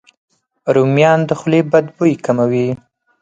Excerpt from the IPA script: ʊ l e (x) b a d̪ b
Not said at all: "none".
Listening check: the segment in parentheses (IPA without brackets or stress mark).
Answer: none